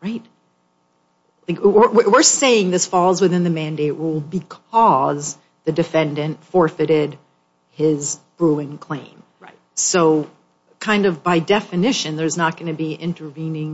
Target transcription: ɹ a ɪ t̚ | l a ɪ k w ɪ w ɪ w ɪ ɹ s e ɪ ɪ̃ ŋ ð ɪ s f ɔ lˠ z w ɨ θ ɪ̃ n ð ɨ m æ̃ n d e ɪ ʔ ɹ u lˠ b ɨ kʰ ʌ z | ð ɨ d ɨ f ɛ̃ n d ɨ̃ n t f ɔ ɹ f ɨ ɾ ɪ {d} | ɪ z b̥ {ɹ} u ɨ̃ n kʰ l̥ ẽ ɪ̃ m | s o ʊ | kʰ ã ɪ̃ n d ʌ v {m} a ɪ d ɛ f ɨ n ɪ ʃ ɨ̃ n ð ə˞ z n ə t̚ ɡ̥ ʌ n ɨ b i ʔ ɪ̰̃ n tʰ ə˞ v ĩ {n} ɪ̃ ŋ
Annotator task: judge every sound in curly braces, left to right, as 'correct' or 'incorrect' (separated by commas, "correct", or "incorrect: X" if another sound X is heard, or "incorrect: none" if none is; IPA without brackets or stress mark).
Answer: correct, correct, incorrect: b, correct